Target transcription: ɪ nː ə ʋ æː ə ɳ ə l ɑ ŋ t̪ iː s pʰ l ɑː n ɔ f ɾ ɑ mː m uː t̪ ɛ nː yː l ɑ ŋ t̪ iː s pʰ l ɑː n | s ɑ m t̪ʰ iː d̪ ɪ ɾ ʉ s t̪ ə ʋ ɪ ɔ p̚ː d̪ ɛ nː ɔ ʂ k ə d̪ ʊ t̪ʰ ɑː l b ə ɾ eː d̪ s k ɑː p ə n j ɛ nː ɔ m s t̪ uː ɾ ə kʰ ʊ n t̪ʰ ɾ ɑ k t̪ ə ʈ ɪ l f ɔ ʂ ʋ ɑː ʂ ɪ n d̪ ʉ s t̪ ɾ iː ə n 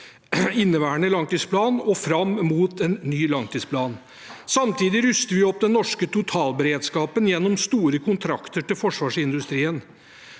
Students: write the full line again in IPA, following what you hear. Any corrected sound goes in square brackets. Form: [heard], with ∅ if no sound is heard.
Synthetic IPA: ɪ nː ə ʋ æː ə ɳ ə l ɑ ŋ t̪ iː s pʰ l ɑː n ɔ f ɾ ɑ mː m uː t̪ ɛ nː yː l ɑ ŋ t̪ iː s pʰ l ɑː n | s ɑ m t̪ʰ iː d̪ ɪ ɾ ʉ s t̪ ə ʋ ɪ ɔ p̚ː d̪ ɛ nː ɔ ʂ k ə [t̪] ʊ t̪ʰ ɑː l b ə ɾ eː d̪ s k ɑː p ə n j ɛ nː ɔ m s t̪ uː ɾ ə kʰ ʊ n t̪ʰ ɾ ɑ k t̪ ə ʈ ɪ l f ɔ ʂ ʋ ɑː ʂ ɪ n d̪ ʉ s t̪ ɾ iː ə n